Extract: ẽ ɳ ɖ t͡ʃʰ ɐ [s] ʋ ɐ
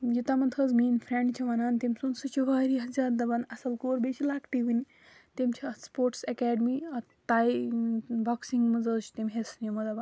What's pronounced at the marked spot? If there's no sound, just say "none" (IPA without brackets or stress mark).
none